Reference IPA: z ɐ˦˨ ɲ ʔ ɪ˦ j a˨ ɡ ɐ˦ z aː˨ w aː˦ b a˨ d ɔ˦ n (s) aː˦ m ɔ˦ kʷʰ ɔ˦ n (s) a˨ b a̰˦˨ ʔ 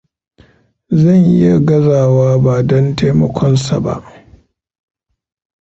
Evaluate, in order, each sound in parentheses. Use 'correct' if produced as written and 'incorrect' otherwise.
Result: incorrect: t, correct

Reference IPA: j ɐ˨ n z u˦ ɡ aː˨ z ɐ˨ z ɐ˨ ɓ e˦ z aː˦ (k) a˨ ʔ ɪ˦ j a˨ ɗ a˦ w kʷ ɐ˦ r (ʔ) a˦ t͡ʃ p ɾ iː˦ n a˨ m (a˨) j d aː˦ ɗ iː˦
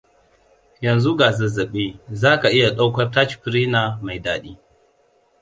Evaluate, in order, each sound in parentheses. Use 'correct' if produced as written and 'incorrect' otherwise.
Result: correct, incorrect: t, correct

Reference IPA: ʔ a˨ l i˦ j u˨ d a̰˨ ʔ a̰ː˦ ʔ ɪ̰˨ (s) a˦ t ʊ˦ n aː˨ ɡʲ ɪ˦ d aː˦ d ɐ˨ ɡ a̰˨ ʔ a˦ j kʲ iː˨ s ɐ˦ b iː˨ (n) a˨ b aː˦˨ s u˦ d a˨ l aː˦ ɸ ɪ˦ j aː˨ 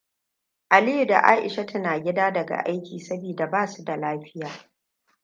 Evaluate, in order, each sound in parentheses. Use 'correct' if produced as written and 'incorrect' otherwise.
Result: incorrect: ʃ, incorrect: d

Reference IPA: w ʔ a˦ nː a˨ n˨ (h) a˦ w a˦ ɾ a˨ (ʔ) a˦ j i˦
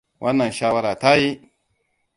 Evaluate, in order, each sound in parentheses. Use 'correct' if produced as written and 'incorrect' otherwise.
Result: incorrect: ʃ, incorrect: t

